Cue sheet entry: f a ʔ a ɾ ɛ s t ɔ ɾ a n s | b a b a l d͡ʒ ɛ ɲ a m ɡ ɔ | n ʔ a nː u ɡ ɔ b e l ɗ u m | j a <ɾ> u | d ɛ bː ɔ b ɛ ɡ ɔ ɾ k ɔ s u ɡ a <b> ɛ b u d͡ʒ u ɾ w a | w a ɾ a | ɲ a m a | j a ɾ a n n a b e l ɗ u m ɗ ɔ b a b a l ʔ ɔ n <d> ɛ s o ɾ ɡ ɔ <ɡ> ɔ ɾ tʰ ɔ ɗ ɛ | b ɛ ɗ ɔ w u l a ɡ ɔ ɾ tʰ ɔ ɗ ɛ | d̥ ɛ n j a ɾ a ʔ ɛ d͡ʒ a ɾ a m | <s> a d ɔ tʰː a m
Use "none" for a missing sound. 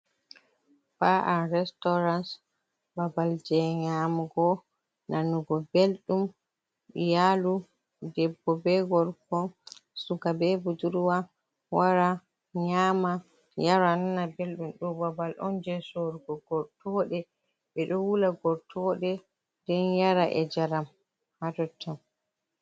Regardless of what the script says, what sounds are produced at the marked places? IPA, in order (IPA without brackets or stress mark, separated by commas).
l, b, d͡ʒ, ɡ, h